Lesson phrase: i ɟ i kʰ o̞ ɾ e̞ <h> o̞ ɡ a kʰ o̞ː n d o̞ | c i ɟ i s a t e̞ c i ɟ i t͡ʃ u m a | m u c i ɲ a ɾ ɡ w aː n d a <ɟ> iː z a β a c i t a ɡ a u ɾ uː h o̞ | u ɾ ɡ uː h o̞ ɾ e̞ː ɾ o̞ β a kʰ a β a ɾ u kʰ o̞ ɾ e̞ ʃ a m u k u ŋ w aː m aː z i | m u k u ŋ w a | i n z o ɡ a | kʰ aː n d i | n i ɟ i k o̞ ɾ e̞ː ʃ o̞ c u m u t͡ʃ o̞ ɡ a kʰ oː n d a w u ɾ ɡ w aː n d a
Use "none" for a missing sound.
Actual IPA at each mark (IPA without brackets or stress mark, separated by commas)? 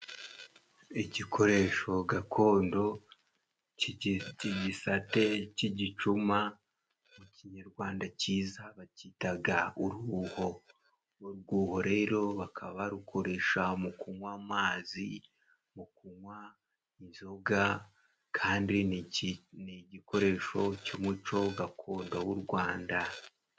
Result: ʃ, c